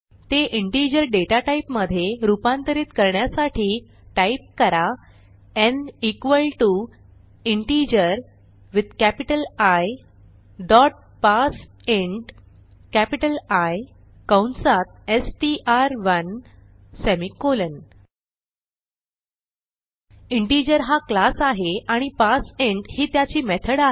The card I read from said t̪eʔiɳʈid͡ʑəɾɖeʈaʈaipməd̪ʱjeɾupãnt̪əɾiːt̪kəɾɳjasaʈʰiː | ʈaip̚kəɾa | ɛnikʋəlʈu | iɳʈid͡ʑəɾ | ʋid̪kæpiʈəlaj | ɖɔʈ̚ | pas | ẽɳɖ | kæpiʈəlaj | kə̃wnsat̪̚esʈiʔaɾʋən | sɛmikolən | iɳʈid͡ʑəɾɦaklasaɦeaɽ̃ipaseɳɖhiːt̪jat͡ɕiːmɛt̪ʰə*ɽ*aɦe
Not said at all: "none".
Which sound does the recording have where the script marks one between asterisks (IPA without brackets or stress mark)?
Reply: ɽ